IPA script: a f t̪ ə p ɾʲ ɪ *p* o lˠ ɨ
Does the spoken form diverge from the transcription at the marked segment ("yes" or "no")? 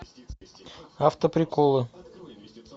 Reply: yes